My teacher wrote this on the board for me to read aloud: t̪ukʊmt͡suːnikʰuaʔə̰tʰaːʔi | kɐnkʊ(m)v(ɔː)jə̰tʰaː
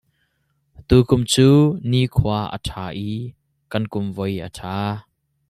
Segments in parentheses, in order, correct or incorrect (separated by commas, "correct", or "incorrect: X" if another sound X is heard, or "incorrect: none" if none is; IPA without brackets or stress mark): correct, incorrect: ɔ